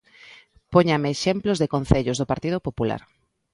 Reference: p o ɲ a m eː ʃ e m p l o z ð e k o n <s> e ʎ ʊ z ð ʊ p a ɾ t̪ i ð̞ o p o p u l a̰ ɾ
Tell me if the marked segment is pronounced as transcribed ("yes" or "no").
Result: no